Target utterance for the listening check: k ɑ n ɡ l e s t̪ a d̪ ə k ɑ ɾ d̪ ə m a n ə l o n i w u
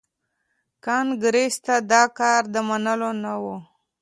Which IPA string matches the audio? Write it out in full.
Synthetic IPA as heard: k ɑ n ɡ ɾ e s t̪ a d̪ ɑ k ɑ ɾ d̪ ə m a n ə l o n a w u